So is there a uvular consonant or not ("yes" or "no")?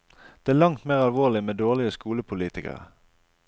yes